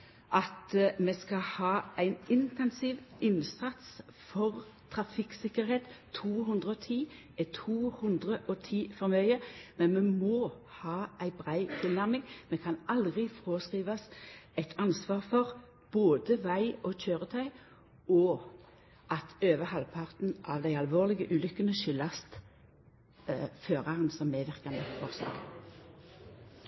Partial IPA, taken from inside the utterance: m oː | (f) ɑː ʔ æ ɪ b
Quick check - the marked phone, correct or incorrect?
incorrect